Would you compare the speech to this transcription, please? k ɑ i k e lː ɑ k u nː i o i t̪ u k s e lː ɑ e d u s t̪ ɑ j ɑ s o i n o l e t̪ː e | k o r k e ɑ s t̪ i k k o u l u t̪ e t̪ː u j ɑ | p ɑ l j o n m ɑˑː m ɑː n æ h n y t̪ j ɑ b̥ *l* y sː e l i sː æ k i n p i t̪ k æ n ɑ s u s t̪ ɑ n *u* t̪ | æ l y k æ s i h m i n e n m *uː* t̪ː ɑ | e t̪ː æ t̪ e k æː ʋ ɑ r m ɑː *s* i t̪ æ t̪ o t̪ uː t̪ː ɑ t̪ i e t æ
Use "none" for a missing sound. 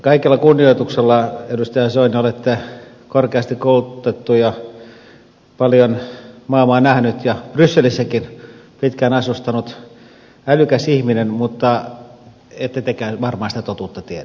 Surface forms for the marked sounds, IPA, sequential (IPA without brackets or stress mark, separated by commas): r, u, u, s